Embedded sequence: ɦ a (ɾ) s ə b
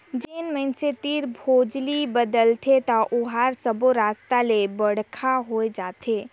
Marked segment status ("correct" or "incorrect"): correct